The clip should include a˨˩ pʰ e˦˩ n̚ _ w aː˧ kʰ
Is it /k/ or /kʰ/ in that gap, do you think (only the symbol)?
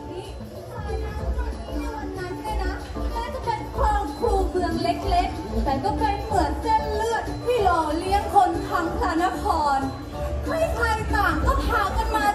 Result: kʰ